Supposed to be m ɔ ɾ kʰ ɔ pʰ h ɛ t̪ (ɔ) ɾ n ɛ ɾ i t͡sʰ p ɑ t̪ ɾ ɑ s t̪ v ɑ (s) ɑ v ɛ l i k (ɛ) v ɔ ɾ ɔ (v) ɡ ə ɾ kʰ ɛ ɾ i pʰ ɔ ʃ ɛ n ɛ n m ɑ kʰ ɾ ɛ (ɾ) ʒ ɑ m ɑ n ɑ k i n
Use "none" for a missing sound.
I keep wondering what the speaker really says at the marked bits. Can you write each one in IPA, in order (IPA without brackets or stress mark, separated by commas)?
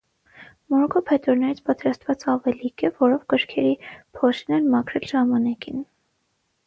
ɔ, t͡s, ɛ, v, l